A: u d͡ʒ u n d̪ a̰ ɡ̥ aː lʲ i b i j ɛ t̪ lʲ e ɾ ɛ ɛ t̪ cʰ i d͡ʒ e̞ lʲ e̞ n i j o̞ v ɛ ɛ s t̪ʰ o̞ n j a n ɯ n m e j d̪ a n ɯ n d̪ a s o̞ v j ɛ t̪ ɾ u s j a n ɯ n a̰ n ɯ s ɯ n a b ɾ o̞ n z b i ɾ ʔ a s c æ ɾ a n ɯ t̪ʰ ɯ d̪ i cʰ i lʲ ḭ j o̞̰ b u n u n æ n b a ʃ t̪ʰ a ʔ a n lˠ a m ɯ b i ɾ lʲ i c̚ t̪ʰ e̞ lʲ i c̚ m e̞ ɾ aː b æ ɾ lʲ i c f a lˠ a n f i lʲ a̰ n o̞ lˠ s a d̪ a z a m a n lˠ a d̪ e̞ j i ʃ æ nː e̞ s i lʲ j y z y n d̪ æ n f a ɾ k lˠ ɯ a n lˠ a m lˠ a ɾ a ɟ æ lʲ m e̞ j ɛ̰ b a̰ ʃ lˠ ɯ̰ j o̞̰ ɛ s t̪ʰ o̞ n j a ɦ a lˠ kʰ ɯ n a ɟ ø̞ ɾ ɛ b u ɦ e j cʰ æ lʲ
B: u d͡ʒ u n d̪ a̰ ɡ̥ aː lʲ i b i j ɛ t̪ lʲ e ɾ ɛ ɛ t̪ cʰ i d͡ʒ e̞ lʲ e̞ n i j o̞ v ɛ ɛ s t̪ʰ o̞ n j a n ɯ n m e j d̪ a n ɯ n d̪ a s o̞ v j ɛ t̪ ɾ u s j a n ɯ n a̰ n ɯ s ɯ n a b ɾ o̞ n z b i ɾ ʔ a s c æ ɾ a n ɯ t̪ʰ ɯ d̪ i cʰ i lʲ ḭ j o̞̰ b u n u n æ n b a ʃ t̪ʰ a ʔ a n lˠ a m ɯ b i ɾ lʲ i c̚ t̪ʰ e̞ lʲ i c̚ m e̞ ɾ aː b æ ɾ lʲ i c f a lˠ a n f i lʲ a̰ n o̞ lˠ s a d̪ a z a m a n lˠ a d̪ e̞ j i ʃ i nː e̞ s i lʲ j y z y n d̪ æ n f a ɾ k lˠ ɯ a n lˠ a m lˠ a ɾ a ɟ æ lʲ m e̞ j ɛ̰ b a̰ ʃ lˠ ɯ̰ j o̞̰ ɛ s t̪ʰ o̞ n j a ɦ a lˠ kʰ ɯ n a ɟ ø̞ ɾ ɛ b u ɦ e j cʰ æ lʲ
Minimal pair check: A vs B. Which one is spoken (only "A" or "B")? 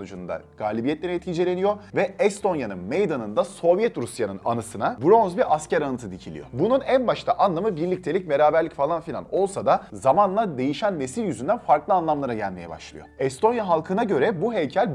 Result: A